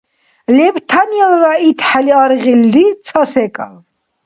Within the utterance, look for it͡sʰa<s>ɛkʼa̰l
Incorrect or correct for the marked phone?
correct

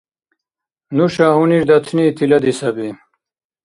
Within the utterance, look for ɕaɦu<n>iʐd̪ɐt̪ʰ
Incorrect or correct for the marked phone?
correct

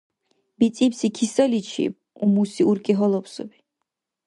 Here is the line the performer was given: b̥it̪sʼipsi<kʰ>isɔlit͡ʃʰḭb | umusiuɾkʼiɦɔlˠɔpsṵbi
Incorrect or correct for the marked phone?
correct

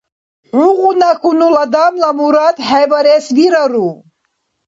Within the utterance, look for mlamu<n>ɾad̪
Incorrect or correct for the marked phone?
incorrect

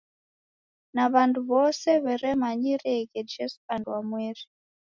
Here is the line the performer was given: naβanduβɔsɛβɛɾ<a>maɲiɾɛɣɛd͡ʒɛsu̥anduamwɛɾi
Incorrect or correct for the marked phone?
incorrect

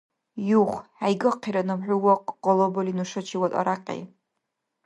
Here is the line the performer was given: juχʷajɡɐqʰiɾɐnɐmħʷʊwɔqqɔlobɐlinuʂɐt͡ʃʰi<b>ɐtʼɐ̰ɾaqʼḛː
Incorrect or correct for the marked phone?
incorrect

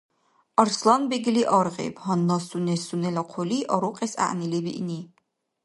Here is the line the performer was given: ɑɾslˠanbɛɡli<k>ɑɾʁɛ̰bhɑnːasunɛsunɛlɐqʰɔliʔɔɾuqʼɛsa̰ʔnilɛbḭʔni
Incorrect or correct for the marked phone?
incorrect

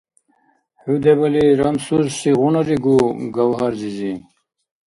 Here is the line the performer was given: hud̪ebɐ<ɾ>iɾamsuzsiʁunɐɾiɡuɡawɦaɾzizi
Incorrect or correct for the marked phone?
incorrect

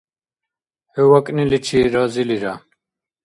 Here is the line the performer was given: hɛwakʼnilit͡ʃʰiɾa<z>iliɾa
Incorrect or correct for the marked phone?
correct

